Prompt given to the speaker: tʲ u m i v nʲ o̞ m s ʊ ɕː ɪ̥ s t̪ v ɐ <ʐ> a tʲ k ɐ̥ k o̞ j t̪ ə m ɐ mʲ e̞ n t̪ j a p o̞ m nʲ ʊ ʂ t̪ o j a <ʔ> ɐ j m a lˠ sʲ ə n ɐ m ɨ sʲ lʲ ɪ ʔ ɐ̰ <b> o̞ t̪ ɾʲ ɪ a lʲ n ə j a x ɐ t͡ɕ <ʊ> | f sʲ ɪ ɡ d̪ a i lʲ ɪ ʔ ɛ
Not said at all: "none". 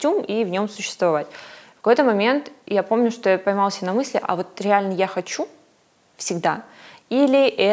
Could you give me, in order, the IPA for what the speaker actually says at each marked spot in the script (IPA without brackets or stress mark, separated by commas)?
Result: v, p, v, u